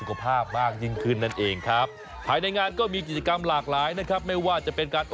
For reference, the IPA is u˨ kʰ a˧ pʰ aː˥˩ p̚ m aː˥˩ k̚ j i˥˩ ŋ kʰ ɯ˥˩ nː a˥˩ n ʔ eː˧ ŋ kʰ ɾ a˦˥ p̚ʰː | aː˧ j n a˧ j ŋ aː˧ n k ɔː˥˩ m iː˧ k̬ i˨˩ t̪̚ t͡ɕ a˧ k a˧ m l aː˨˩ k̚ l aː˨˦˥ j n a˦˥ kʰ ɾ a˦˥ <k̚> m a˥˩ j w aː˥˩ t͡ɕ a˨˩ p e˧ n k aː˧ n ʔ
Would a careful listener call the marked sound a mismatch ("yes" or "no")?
yes